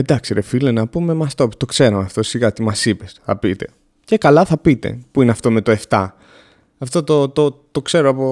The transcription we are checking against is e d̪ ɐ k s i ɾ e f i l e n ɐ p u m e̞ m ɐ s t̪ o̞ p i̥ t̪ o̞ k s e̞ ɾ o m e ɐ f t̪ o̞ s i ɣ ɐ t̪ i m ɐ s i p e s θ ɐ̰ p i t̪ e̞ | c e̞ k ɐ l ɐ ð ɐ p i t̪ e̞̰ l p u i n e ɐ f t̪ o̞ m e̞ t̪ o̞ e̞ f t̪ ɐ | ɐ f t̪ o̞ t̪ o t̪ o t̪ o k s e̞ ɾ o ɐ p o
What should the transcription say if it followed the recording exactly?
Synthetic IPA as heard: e d̪ ɐ k s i ɾ e f i l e n ɐ p u m e̞ m ɐ s t̪ o̞ p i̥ t̪ o̞ k s e̞ ɾ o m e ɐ f t̪ o̞ s i ɣ ɐ t̪ i m ɐ s i p e s θ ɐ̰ p i t̪ e̞ | c e̞ k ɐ l ɐ θ ɐ p i t̪ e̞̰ p u i n e ɐ f t̪ o̞ m e̞ t̪ o̞ e̞ f t̪ ɐ | ɐ f t̪ o̞ t̪ o t̪ o t̪ o k s e̞ ɾ o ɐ p o